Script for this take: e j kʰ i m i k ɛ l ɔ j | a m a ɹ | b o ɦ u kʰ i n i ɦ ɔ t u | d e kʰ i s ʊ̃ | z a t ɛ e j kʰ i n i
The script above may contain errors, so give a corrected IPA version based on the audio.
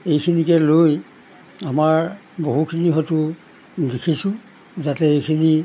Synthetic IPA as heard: e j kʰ i n i k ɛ l o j | a m a ɹ | b o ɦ u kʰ i n i ɦ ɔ t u | d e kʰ i s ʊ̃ | z a t ɛ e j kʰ i n i